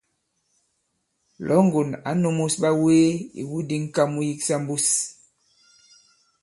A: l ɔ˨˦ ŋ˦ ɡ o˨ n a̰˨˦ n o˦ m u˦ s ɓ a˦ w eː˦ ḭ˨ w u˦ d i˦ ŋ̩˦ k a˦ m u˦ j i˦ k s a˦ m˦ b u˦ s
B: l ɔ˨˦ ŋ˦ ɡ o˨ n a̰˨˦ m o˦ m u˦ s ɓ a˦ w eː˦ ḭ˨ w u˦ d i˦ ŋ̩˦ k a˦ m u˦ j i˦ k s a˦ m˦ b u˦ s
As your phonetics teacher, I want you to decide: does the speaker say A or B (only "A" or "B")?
A